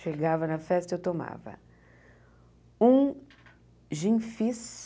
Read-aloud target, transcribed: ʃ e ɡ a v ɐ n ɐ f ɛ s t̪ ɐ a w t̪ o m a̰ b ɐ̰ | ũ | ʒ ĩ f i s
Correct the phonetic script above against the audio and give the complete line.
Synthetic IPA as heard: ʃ e ɡ a v ɐ n ɐ f ɛ s t̪ ɐ e w t̪ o m a̰ v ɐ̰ | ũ | ʒ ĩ f i s